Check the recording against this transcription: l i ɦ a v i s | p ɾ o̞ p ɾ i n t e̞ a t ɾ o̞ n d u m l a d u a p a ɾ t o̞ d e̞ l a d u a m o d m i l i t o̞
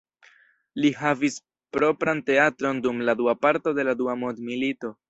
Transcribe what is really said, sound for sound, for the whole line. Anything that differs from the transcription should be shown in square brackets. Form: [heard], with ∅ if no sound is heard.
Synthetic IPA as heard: l i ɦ a v i s | p ɾ o̞ p ɾ [a] n t e̞ a t ɾ o̞ n d u m l a d u a p a ɾ t o̞ d e̞ l a d u a m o d m i l i t o̞